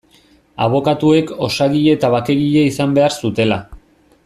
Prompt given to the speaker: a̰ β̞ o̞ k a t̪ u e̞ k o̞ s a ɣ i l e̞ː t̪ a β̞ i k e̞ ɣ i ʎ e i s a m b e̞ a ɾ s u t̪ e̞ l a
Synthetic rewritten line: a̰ β̞ o̞ k a t̪ u e̞ k o̞ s a ɣ i ʎ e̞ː t̪ a β̞ a k e̞ ɣ i ʎ e i s a m b e̞ a ɾ s u t̪ e̞ l a